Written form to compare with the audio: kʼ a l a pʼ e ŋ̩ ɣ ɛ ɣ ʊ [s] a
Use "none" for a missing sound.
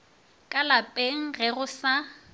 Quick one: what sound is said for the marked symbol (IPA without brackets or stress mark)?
s